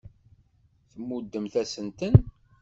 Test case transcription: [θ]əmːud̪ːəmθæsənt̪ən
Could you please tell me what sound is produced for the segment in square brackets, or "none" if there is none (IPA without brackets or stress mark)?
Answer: θ